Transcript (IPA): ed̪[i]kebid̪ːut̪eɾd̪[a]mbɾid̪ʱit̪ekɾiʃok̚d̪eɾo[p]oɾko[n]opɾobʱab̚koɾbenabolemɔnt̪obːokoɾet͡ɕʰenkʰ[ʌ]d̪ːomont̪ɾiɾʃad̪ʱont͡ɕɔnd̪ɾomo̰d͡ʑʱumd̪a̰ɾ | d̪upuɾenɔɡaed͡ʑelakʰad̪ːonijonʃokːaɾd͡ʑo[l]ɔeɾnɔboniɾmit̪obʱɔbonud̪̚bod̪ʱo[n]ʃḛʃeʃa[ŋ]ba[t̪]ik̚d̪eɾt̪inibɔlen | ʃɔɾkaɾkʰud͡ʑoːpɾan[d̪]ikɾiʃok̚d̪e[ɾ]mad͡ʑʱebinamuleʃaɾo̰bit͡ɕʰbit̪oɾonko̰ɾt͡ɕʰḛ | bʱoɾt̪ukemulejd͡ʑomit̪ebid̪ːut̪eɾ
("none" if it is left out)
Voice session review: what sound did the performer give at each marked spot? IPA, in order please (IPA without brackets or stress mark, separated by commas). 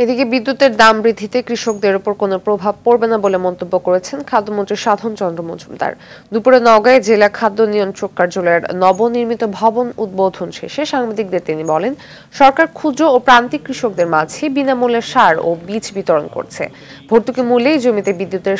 i, a, p, n, a, l, n, ŋ, d̪, t̪, ɾ